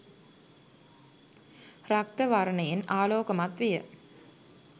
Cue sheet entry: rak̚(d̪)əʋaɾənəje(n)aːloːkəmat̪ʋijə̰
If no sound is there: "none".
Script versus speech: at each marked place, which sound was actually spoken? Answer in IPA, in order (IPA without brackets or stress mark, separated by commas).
t̪, n